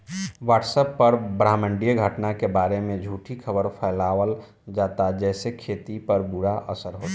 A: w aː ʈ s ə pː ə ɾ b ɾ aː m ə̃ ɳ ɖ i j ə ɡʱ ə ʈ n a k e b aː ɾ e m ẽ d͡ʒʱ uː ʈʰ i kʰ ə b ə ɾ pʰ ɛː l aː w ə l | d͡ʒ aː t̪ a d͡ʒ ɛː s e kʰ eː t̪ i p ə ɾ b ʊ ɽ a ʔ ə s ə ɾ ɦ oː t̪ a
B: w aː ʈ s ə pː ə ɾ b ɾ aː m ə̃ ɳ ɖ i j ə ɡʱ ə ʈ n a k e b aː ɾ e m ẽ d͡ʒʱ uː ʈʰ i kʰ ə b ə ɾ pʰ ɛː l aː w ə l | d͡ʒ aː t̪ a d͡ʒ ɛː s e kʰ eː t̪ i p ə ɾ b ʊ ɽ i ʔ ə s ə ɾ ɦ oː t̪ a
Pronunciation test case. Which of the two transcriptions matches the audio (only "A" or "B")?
A